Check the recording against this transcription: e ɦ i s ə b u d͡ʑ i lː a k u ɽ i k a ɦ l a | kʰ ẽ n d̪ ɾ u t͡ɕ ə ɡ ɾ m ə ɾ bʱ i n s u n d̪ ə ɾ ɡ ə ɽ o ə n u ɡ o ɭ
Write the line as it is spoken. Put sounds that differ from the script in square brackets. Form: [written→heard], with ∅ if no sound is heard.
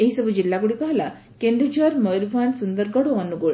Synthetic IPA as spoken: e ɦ i s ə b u d͡ʑ i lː a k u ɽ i k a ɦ l a | [kʰ→k] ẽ n d̪ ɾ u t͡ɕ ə [ɡ→∅] ɾ m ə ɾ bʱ [i→a] n s u n d̪ ə ɾ ɡ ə ɽ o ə n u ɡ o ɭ